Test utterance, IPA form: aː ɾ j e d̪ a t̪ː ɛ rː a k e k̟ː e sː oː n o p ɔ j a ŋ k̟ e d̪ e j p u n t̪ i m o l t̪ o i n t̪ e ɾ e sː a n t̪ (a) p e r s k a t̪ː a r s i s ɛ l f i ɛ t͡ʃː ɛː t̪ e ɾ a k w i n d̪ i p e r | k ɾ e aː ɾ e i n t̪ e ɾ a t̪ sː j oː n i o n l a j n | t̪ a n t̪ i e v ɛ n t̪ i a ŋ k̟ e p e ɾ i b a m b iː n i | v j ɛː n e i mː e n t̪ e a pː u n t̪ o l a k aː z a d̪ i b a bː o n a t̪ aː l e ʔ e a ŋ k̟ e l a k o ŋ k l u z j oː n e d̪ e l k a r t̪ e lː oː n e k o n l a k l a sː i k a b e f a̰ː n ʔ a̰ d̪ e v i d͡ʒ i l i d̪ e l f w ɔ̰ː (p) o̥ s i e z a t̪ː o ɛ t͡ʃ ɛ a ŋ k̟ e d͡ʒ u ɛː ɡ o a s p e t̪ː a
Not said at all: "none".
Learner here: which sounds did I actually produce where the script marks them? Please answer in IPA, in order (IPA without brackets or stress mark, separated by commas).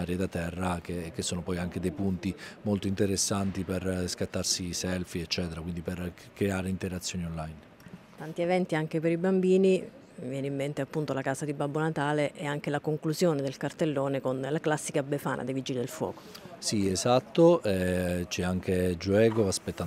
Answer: i, k